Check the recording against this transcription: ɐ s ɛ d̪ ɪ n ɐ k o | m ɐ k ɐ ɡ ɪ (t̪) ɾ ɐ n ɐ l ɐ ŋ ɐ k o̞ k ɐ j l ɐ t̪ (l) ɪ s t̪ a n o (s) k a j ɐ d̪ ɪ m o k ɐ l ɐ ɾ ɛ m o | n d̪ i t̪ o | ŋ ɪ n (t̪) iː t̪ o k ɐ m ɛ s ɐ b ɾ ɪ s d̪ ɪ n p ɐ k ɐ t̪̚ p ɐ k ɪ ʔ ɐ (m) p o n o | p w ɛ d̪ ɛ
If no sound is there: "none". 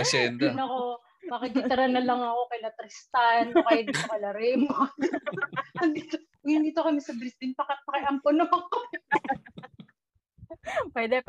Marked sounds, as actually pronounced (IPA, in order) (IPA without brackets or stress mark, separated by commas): t̪, ɾ, none, d̪, m